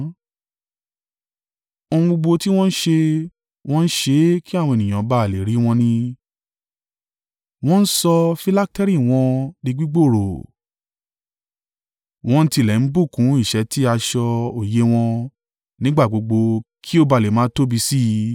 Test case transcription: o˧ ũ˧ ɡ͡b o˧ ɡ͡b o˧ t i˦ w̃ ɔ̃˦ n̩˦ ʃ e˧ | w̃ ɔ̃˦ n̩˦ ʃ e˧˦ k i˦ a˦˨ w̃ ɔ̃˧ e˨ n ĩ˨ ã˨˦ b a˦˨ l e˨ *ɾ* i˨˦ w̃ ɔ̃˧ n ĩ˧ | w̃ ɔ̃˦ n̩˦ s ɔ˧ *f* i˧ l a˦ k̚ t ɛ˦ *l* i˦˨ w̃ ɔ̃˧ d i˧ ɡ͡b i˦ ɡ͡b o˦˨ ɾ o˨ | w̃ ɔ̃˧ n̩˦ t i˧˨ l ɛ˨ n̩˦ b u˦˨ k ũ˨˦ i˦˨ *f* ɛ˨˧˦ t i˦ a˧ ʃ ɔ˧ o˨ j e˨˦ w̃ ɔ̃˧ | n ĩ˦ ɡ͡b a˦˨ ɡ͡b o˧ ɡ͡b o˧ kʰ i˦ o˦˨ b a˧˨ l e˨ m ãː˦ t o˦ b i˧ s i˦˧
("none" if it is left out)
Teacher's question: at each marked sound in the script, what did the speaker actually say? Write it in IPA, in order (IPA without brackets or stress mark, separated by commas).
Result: ɾ, f, ɾ, ʃ